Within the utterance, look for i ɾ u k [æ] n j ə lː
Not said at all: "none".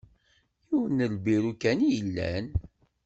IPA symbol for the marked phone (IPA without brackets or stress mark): æ